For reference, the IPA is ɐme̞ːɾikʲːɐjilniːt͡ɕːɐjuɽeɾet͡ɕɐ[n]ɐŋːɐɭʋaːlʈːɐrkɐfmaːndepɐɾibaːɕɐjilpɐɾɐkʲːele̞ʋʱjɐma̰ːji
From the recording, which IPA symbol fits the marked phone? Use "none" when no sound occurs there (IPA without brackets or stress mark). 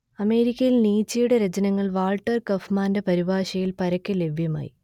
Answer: n